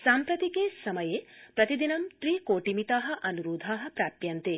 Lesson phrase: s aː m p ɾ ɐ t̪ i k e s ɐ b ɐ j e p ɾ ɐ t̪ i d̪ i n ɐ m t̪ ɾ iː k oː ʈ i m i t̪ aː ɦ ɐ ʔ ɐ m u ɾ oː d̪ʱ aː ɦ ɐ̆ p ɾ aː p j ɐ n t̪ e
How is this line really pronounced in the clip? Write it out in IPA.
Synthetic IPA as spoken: s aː m p ɾ ɐ t̪ i k e s ɐ m ɐ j e p ɾ ɐ t̪ i d̪ i n ɐ m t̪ ɾ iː k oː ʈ i m i t̪ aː ɦ ɐ ʔ ɐ n u ɾ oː d̪ʱ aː ɦ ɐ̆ p ɾ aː p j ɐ n t̪ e